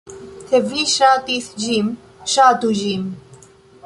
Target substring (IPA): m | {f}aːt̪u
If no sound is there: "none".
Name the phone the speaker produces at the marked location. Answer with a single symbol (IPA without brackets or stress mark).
ʃ